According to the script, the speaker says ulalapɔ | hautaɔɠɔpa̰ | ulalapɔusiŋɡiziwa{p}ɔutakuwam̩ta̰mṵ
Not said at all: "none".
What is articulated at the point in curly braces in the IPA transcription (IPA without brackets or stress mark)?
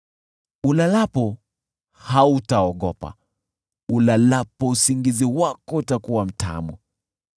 k